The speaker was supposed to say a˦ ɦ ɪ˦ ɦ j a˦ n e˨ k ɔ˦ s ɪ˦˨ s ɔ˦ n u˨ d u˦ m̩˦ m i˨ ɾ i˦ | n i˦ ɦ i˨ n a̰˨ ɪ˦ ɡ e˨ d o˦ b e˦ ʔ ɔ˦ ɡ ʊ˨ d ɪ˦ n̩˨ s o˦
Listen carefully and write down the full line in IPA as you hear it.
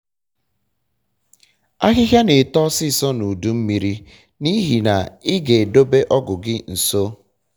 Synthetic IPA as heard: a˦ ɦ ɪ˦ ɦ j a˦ n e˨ t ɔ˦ s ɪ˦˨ s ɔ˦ n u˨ d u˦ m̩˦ m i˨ ɾ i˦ | n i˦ ɦ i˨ n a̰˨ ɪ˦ ɡ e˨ d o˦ b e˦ ʔ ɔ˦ ɡ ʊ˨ ɡ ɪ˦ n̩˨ s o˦